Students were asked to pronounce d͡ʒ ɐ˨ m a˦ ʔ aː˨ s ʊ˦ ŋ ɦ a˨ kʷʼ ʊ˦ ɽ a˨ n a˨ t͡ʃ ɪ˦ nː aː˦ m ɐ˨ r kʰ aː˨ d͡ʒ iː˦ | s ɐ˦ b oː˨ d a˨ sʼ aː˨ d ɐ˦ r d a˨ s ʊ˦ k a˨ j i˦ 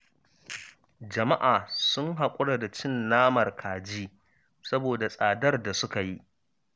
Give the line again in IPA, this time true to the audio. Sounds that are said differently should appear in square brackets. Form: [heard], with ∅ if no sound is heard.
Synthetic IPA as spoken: d͡ʒ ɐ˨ m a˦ ʔ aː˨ s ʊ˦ ŋ ɦ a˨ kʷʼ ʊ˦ ɽ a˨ [d] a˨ t͡ʃ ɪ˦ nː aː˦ m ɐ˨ r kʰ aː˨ d͡ʒ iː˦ | s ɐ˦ b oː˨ d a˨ sʼ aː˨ d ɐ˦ r d a˨ s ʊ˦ k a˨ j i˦